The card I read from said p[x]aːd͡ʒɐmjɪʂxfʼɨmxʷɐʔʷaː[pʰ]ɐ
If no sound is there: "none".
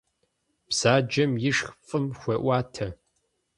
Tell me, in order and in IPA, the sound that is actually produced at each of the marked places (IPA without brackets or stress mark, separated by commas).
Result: s, tʰ